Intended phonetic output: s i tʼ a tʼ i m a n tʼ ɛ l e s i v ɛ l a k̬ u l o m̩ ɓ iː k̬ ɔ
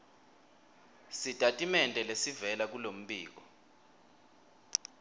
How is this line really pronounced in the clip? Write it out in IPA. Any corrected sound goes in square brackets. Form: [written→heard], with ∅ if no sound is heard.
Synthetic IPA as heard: s i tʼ a tʼ i m [a→ɛ] n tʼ ɛ l e s i v ɛ l a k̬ u l o m̩ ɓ iː k̬ ɔ